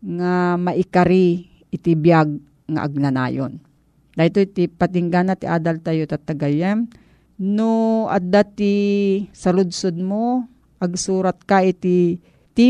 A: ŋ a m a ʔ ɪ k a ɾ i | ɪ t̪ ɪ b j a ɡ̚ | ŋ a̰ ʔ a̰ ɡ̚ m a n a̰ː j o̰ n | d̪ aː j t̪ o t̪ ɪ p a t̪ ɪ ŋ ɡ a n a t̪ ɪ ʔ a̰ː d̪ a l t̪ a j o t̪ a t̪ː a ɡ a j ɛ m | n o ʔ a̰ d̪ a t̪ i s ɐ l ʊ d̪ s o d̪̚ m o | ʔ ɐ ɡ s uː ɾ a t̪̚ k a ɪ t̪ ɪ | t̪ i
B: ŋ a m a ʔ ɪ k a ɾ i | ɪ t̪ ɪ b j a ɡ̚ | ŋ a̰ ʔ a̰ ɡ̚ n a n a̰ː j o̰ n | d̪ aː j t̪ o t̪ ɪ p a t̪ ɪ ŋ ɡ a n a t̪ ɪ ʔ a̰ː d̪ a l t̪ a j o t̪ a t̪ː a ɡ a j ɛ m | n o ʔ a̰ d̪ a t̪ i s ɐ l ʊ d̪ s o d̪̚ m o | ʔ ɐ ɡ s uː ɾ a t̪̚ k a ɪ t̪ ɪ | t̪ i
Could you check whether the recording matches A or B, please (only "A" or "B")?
B